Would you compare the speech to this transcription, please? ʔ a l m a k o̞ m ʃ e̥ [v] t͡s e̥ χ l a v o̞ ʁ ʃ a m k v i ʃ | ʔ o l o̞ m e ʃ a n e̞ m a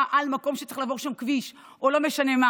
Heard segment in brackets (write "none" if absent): none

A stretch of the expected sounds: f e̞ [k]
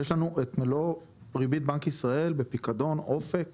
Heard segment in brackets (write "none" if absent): k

